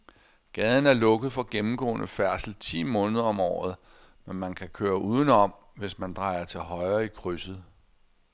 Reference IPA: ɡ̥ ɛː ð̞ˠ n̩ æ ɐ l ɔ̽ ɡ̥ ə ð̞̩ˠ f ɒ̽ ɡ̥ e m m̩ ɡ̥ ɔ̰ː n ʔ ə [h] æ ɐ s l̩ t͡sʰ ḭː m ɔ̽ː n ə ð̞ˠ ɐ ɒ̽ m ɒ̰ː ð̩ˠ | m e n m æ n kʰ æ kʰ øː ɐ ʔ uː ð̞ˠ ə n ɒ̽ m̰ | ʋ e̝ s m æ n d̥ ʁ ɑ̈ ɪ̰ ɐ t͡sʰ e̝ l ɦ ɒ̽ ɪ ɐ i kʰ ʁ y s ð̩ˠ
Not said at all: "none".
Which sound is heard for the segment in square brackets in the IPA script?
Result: f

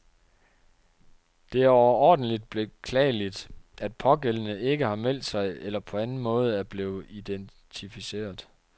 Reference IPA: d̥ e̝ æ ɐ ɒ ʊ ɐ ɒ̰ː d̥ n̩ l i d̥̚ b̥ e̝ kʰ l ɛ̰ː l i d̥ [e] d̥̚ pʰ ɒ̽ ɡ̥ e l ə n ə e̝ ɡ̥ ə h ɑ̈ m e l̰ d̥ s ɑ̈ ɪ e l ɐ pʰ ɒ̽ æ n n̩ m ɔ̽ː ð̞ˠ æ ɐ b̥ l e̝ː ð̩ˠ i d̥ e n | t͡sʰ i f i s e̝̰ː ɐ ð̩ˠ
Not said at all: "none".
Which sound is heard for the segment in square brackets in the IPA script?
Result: æ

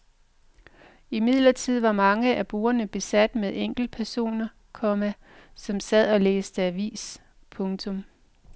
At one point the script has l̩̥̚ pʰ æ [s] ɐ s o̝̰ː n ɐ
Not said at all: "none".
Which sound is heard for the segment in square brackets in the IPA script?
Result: none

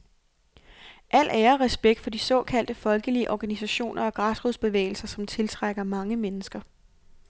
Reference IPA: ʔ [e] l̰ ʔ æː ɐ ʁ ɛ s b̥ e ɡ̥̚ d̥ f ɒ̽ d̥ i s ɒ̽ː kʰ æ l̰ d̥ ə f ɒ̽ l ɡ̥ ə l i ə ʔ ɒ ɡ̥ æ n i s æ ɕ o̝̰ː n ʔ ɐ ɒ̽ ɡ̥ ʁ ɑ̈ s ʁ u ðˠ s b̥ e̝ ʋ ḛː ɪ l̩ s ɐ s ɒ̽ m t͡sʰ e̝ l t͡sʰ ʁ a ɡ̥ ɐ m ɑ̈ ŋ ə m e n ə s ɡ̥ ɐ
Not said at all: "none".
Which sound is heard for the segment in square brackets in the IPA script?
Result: æ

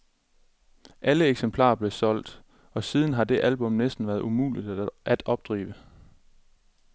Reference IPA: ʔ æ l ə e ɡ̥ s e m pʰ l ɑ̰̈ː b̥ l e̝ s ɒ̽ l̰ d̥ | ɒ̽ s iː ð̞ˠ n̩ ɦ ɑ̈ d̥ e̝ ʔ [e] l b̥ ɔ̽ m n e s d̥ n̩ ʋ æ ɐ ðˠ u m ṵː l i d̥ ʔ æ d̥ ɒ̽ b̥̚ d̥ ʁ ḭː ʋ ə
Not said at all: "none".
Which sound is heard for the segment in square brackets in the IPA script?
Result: æ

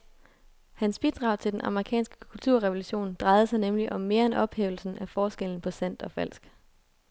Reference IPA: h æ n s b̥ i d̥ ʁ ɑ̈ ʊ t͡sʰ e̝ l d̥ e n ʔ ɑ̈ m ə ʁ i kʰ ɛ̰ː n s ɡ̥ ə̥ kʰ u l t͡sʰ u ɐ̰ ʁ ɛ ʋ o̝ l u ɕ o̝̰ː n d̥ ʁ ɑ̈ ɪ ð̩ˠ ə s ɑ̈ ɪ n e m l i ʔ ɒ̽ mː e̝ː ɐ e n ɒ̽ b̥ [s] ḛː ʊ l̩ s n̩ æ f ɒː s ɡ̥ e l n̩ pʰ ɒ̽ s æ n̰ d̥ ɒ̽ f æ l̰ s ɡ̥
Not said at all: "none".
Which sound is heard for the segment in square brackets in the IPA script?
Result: h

